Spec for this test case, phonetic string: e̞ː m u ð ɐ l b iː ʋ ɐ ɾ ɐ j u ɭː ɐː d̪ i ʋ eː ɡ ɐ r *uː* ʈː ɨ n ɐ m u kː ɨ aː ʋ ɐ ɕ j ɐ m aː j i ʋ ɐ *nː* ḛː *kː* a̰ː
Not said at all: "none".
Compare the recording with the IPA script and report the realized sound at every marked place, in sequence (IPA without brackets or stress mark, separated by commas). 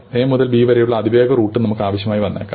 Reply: uː, nː, kː